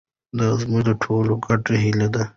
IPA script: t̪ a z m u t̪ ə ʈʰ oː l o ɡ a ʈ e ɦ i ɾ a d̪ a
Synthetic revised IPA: d̪ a z m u d̪ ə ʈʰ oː l o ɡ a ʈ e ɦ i l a d̪ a